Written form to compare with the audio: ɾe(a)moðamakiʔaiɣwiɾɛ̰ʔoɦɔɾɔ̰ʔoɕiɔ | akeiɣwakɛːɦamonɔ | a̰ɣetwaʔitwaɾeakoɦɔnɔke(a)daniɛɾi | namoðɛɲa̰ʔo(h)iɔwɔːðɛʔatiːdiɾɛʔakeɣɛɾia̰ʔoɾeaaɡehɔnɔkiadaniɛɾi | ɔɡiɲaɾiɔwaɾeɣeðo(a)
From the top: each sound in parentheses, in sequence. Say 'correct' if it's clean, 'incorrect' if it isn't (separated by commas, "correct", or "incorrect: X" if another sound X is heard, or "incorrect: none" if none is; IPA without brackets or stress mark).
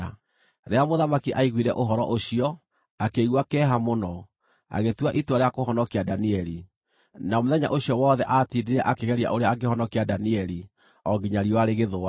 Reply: correct, correct, incorrect: ɕ, correct